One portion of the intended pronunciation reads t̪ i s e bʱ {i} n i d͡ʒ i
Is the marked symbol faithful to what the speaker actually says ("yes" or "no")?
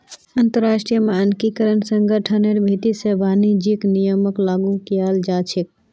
no